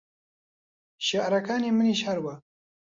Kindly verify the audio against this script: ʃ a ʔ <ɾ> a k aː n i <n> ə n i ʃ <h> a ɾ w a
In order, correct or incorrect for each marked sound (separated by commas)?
correct, incorrect, correct